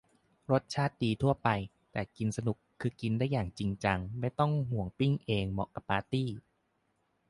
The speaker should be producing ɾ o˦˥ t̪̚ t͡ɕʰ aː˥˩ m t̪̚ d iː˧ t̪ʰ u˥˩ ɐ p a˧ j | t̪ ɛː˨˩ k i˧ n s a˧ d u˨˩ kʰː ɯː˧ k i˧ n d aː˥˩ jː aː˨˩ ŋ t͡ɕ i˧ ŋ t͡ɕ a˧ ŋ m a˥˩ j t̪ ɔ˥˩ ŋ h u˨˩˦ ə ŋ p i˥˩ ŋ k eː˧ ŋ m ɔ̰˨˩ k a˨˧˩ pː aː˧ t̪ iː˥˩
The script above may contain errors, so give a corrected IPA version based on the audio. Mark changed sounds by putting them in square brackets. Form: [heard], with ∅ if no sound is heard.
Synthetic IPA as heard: ɾ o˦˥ t̪̚ t͡ɕʰ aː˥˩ [∅] t̪̚ d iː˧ t̪ʰ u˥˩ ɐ p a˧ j | t̪ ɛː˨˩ k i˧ n s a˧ [n] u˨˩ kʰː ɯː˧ k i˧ n d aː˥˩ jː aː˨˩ ŋ t͡ɕ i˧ ŋ t͡ɕ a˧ ŋ m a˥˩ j t̪ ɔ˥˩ ŋ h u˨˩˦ ə ŋ p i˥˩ ŋ [ʔ] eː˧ ŋ m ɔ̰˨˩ k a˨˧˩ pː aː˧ t̪ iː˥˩